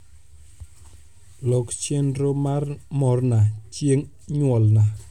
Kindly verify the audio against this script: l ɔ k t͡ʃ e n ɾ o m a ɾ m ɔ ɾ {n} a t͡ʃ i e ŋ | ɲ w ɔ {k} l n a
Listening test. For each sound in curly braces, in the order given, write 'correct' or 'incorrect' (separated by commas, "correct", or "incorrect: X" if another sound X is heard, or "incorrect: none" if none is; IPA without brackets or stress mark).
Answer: correct, incorrect: none